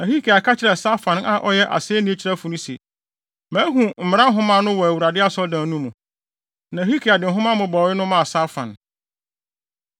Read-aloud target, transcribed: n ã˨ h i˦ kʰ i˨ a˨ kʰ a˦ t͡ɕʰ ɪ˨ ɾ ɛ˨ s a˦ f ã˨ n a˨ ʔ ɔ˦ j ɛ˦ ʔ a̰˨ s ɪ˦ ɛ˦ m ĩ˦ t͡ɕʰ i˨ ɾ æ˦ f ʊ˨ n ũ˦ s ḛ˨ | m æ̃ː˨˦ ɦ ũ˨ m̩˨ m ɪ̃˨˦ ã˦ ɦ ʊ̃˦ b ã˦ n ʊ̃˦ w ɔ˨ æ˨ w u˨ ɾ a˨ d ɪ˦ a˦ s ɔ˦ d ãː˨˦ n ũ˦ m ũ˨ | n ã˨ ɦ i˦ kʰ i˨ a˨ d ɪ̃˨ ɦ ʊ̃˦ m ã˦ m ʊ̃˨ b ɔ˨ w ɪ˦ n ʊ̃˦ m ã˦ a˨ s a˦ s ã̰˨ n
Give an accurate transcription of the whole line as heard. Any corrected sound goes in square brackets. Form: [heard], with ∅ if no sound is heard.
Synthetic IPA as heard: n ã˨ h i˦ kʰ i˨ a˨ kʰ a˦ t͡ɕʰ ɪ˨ ɾ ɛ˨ s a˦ f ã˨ n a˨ ʔ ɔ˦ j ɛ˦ ʔ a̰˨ s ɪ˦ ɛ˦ [n] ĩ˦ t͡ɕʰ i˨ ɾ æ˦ f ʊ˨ n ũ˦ s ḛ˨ | m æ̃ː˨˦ ɦ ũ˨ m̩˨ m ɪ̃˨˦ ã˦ ɦ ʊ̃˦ [m] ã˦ n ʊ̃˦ w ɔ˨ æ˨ w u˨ ɾ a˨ d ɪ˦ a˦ s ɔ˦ d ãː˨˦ n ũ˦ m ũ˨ | n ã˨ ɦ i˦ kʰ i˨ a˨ d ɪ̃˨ ɦ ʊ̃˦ m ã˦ m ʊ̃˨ b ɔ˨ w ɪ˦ n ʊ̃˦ m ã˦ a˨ s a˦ [f] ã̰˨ n